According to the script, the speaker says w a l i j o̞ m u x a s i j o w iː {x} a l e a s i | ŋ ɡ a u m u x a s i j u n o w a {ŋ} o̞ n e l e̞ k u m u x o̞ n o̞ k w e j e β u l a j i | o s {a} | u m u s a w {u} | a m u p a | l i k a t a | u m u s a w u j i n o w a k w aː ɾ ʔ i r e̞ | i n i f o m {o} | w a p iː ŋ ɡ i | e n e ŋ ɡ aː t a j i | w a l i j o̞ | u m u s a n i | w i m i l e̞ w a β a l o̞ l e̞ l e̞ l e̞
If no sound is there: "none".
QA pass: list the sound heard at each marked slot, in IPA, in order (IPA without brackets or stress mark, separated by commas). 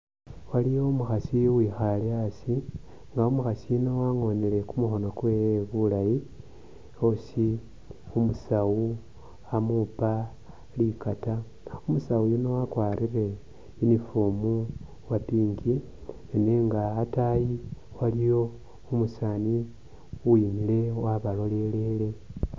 x, ŋ, i, u, u